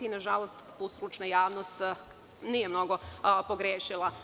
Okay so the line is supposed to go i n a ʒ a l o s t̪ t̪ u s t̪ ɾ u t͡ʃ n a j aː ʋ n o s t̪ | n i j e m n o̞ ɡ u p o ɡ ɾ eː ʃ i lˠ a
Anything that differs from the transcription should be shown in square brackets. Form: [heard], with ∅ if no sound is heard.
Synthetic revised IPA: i n a ʒ a l o s t̪ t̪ u s t̪ ɾ u t͡ʃ n a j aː ʋ n o s t̪ | n i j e m n o̞ ɡ [o] p o ɡ ɾ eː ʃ i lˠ a